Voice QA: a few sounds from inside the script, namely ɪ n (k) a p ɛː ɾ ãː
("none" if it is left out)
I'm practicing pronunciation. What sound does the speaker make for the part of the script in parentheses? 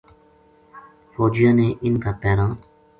k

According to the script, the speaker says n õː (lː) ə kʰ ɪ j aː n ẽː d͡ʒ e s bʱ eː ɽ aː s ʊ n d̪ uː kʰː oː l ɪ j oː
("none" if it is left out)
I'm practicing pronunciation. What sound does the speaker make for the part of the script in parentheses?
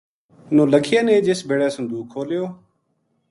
l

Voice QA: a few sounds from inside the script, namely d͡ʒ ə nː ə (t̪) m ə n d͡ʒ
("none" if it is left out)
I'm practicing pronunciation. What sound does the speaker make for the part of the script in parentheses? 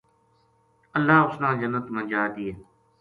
t̪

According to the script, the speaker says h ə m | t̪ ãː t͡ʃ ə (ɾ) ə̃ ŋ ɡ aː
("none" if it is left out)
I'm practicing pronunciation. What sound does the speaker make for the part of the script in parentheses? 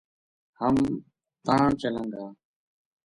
l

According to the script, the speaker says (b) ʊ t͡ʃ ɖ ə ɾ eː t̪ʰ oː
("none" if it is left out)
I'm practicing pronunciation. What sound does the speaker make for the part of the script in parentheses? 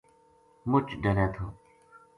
m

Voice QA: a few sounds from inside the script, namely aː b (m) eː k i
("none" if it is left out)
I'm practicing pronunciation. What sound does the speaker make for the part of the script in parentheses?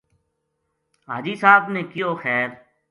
n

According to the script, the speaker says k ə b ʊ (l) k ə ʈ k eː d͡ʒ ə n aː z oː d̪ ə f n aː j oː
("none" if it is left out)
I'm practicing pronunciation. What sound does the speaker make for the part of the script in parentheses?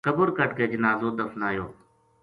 ɾ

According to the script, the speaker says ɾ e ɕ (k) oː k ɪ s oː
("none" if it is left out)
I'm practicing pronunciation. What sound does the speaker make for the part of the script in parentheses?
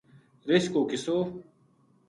k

